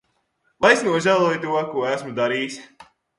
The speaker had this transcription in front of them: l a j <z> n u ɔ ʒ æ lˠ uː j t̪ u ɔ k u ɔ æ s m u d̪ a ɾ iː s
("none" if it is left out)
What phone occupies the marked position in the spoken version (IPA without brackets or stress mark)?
s